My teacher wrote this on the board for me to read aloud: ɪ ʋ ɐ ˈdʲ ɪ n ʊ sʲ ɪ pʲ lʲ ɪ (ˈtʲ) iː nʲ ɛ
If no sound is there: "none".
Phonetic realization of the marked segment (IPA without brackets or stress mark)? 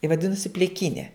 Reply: kʲ